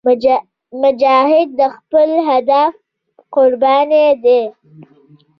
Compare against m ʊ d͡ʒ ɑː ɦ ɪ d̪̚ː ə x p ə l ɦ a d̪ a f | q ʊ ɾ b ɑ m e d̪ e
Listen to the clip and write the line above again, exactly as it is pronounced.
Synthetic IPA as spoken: m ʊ d͡ʒ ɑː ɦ ɪ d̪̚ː ə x p ə l ɦ a d̪ a f | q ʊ ɾ b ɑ n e d̪ e